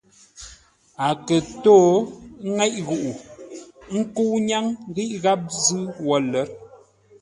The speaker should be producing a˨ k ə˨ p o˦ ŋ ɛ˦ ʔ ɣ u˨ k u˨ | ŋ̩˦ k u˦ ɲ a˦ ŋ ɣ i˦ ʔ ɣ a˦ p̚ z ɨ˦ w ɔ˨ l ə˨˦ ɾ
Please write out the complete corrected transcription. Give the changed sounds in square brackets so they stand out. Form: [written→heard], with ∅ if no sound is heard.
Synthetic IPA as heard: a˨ k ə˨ [p→t] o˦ ŋ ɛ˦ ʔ ɣ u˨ [k→ʔ] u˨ | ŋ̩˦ k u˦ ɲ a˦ ŋ ɣ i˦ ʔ ɣ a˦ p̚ z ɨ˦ w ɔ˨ l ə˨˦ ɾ